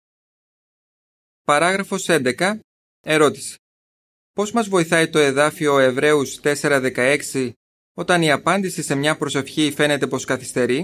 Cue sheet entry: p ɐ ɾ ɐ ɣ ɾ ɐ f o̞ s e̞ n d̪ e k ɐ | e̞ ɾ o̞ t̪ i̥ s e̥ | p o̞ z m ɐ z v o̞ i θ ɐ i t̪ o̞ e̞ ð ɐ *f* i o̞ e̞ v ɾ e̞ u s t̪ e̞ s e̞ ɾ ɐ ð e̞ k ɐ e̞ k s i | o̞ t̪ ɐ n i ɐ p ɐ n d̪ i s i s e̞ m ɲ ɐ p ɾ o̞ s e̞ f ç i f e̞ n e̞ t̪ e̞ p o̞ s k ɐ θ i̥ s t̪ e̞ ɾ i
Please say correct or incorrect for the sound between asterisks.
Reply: correct